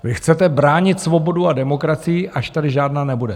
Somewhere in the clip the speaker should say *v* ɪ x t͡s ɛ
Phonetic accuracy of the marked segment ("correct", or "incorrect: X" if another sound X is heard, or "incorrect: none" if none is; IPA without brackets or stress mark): correct